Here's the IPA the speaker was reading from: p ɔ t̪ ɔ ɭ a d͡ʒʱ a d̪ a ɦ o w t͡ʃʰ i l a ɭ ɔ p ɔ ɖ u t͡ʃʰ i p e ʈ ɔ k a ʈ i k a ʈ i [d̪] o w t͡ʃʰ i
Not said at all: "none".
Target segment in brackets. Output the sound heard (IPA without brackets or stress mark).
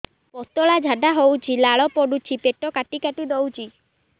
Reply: d̪